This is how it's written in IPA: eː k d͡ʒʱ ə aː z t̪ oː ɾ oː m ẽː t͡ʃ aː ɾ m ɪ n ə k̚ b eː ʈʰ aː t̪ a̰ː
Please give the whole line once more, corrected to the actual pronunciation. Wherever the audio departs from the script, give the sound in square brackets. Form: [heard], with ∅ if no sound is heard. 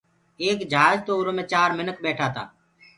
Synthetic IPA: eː k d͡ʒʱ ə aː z t̪ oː ɾ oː m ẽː t͡ʃ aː ɾ m ɪ n ə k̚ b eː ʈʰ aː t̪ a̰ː